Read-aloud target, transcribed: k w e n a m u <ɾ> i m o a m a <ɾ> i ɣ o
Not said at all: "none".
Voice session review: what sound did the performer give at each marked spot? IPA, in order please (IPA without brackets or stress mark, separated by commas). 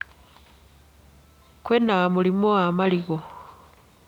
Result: l, l